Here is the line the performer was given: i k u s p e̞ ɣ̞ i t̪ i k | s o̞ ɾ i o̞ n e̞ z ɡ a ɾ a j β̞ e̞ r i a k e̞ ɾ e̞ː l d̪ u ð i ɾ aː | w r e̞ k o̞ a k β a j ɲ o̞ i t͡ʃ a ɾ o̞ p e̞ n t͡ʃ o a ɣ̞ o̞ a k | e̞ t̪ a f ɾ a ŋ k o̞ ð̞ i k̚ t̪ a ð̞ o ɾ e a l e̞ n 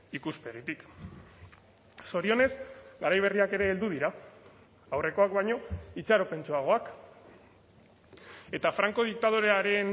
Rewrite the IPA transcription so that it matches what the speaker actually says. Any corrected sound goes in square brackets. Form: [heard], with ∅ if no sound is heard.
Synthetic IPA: i k u s p e̞ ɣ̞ i t̪ i k | s o̞ ɾ i o̞ n e̞ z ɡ a ɾ a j β̞ e̞ r i a k e̞ ɾ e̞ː l d̪ u ð i ɾ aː | w r e̞ k o̞ a k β a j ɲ o̞ i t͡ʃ a ɾ o̞ p e̞ n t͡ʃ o a ɣ̞ o̞ a k | e̞ t̪ a f ɾ a ŋ k o̞ ð̞ i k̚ t̪ a ð̞ o ɾ e a [ɾ] e̞ n